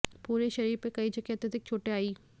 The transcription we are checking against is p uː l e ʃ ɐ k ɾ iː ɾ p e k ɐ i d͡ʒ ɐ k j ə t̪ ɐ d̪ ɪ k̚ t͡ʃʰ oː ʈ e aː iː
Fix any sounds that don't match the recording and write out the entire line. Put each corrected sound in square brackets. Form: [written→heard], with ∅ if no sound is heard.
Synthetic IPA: p uː [l→ɾ] e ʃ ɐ [k→∅] ɾ iː ɾ p e k ɐ i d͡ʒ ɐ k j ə t̪ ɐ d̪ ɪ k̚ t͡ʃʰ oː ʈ e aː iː